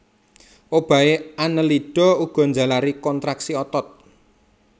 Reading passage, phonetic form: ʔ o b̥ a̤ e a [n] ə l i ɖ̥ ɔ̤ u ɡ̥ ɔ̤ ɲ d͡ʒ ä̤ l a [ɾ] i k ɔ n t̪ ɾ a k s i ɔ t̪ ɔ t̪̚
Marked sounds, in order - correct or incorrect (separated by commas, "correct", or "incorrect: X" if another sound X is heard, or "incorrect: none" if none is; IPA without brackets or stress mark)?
correct, correct